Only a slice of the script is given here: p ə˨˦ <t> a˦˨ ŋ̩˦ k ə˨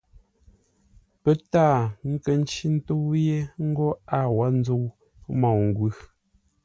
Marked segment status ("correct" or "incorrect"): correct